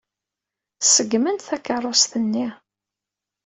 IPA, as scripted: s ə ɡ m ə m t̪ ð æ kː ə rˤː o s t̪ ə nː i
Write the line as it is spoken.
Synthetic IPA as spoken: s ə ɡ m ə n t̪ θ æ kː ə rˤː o s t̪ ə nː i